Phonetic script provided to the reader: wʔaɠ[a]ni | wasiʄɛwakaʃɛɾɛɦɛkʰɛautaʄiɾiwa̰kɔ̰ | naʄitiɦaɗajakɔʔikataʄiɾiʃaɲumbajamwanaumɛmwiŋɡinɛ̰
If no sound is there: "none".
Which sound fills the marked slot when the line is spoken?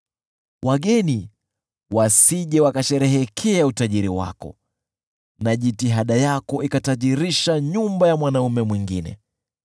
ɛ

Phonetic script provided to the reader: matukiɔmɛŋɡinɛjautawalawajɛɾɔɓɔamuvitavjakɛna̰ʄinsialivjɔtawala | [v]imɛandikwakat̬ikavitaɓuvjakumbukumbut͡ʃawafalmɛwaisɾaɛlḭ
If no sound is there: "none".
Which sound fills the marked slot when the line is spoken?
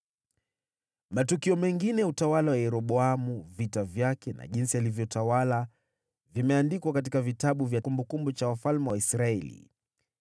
v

